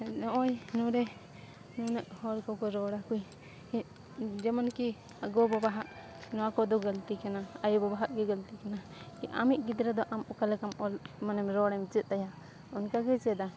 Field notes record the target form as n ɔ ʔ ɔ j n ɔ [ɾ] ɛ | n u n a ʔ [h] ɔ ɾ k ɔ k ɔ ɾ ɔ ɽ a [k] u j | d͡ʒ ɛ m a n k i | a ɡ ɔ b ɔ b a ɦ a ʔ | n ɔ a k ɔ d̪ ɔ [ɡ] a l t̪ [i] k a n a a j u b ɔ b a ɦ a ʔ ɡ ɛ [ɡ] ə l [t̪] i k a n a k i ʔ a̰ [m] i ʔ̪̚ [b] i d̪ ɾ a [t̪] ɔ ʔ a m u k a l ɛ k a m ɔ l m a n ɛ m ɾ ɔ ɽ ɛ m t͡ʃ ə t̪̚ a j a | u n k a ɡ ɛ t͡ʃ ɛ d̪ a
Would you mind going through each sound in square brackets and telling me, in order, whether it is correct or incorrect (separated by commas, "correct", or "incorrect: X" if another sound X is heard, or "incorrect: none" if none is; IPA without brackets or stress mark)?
correct, correct, correct, correct, correct, correct, correct, correct, incorrect: ɡ, incorrect: d̪